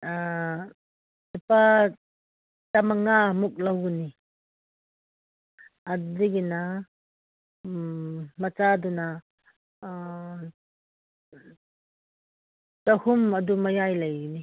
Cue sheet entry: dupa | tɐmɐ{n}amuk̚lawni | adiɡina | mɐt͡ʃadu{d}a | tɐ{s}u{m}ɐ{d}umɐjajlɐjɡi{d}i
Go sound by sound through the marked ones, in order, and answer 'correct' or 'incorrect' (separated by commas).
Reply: incorrect, incorrect, incorrect, correct, correct, incorrect